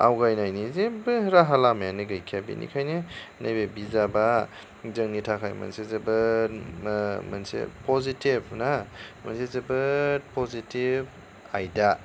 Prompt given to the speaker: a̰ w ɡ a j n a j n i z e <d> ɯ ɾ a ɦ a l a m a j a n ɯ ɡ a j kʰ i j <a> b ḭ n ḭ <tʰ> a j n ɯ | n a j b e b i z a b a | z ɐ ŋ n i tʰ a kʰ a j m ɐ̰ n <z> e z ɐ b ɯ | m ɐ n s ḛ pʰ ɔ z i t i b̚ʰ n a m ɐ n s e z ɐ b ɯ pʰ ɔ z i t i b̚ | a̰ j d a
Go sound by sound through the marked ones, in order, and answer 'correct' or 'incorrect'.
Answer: incorrect: b, correct, incorrect: kʰ, incorrect: s

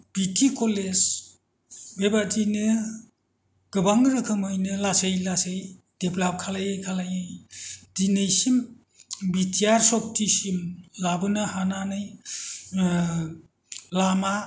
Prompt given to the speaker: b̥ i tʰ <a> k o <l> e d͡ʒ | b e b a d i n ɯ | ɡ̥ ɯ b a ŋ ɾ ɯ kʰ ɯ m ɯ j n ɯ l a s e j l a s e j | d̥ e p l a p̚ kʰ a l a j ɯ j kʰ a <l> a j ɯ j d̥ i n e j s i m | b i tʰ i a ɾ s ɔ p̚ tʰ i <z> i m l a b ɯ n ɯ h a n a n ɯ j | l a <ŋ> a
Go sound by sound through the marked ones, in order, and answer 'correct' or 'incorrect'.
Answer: incorrect: i, correct, correct, incorrect: s, incorrect: m

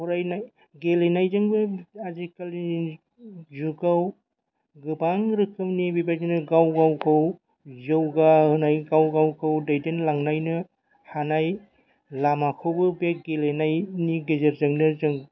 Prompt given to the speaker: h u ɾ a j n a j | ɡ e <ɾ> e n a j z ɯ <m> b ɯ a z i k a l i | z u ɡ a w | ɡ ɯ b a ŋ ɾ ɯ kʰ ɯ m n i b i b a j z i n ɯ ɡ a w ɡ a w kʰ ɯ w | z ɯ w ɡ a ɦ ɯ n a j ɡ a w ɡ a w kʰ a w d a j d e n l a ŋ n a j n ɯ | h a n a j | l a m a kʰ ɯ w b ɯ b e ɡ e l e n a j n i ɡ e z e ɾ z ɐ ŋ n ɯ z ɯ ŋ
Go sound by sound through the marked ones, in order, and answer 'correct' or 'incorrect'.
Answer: incorrect: l, incorrect: ŋ

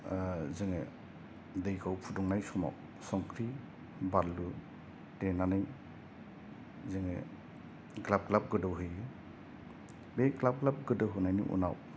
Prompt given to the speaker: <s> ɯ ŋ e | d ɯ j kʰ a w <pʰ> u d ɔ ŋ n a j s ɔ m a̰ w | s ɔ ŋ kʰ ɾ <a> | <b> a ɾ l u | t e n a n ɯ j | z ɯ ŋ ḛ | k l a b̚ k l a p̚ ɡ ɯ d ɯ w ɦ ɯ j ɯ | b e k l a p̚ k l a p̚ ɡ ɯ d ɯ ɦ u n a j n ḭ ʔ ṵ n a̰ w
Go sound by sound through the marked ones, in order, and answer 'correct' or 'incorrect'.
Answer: incorrect: z, correct, incorrect: i, correct

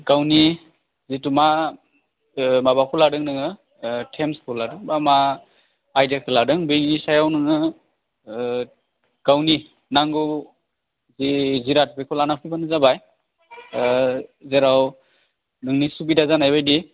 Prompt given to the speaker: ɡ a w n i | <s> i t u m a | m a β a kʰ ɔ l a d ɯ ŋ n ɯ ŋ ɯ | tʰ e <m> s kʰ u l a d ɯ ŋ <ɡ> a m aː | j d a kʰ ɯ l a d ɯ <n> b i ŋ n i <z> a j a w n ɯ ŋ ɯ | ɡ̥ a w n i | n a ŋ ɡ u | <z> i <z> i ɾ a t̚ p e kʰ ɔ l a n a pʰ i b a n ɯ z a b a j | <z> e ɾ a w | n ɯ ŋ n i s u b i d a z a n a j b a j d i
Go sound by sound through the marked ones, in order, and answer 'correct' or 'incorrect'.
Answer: incorrect: z, correct, incorrect: b, incorrect: ŋ, incorrect: s, correct, correct, correct

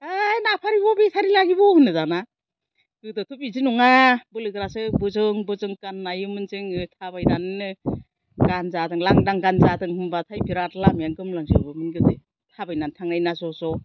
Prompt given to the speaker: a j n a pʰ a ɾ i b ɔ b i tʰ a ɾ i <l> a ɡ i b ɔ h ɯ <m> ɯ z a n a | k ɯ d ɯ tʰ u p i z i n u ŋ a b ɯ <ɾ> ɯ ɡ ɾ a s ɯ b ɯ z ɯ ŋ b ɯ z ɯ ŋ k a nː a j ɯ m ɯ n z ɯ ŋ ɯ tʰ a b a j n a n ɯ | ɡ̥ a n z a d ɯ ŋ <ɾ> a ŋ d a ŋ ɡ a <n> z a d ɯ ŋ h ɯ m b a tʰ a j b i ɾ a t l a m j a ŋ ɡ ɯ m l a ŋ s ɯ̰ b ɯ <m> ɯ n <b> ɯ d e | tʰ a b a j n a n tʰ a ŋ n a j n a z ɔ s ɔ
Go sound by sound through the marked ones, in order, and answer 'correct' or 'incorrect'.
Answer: correct, incorrect: n, incorrect: l, incorrect: l, correct, correct, incorrect: ɡ

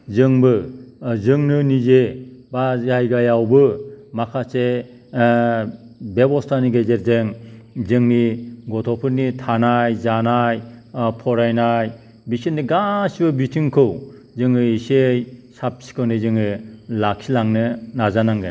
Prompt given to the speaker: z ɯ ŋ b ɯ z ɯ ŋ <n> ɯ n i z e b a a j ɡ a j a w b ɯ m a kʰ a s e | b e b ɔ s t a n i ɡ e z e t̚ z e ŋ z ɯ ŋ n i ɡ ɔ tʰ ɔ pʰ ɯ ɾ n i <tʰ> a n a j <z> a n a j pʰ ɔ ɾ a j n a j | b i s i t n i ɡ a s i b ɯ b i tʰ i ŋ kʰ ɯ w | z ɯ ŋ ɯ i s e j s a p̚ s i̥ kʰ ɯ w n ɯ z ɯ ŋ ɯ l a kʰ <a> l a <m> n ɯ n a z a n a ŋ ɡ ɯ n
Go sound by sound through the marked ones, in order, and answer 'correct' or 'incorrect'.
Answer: correct, correct, correct, incorrect: i, incorrect: ŋ

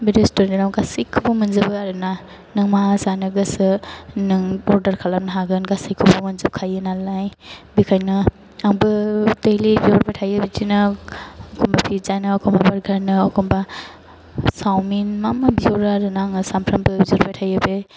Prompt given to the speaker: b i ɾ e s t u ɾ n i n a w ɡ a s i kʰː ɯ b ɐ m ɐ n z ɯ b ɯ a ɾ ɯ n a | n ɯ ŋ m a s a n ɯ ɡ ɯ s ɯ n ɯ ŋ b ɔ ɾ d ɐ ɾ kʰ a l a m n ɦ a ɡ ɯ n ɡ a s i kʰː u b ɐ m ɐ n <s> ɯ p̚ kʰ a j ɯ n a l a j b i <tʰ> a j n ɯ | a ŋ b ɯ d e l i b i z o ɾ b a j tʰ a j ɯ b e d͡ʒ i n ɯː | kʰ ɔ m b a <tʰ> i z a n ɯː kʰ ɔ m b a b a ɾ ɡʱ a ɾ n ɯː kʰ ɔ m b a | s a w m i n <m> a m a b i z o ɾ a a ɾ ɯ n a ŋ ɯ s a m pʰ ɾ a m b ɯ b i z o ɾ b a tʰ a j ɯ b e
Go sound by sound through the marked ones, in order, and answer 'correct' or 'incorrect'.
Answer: incorrect: z, incorrect: kʰ, incorrect: pʰ, correct

